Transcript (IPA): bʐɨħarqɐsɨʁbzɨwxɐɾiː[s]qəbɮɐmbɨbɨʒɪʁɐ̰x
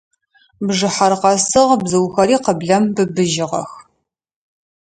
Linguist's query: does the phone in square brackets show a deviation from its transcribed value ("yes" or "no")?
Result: yes